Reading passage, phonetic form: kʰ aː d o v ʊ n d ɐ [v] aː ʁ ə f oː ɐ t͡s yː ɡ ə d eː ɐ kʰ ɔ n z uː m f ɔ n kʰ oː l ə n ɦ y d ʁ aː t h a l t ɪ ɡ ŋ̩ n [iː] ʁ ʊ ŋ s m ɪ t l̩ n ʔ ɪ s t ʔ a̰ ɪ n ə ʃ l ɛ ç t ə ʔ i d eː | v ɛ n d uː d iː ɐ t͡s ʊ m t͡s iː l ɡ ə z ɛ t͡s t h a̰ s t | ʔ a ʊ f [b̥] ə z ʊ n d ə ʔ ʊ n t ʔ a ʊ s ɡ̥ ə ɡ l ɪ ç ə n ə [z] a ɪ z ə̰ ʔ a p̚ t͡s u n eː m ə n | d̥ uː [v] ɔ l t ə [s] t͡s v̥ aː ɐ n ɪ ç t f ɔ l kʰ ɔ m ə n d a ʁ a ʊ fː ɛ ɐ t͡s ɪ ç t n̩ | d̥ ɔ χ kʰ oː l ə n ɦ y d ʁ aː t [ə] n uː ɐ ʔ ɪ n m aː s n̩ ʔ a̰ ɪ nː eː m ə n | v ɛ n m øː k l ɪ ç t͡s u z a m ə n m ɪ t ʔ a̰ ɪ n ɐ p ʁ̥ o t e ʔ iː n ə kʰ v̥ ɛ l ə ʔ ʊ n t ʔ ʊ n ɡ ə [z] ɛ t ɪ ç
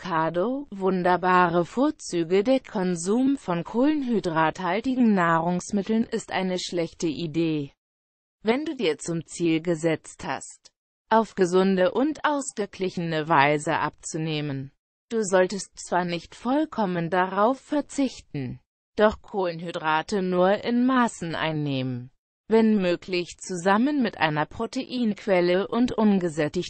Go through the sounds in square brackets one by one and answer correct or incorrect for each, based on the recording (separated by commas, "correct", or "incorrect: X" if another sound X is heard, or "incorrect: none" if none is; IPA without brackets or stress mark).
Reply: incorrect: b, incorrect: aː, incorrect: ɡ̥, incorrect: v, incorrect: z, correct, correct, correct